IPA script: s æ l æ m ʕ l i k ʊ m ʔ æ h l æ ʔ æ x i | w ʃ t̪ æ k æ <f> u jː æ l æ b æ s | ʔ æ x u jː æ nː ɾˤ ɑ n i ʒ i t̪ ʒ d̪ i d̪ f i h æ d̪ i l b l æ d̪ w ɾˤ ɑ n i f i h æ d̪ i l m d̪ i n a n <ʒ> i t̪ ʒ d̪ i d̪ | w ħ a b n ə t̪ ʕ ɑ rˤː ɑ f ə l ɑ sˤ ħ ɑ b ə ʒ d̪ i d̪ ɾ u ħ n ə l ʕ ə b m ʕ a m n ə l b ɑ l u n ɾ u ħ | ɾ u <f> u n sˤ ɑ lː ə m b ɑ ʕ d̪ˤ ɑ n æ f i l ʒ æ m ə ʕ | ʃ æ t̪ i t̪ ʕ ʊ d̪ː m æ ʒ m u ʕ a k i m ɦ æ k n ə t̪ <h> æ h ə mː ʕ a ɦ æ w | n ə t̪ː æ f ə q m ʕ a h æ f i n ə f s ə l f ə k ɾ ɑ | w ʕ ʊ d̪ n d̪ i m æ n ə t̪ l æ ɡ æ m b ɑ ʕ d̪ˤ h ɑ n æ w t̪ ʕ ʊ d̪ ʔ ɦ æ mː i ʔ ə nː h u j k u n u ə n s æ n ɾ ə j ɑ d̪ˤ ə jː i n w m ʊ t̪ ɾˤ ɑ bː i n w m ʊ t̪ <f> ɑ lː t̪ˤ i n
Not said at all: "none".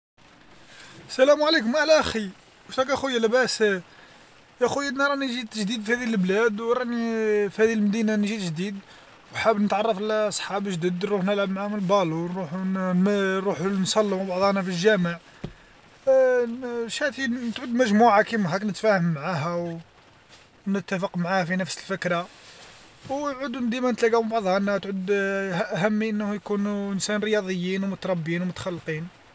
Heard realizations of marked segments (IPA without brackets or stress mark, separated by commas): x, ʒ, ħ, f, x